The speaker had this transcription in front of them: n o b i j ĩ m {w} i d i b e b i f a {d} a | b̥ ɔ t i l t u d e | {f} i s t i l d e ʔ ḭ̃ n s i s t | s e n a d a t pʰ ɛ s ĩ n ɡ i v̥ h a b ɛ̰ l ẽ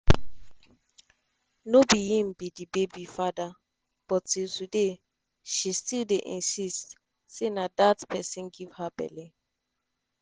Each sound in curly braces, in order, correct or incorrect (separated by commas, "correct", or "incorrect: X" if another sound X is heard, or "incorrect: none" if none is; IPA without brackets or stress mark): incorrect: b, correct, incorrect: ʃ